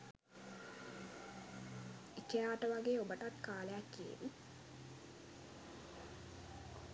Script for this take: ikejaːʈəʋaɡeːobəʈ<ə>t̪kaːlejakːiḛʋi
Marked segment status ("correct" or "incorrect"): incorrect